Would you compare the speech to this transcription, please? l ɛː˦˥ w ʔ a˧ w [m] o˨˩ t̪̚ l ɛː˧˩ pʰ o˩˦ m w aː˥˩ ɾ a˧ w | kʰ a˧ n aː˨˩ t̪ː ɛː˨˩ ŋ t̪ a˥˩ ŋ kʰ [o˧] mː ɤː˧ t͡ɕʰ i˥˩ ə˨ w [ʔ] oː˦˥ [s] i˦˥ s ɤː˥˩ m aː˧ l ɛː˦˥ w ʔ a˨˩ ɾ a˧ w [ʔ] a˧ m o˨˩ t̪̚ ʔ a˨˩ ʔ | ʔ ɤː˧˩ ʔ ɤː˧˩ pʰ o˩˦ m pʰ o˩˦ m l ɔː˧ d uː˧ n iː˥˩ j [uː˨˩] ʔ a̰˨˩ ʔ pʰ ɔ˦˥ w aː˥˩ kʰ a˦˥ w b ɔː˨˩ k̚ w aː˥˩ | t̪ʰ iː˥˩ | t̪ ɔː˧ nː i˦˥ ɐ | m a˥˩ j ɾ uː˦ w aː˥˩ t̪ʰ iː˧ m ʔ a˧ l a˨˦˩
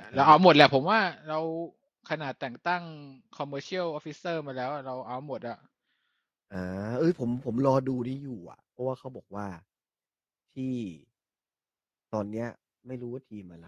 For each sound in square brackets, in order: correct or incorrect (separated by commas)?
correct, incorrect, correct, incorrect, correct, correct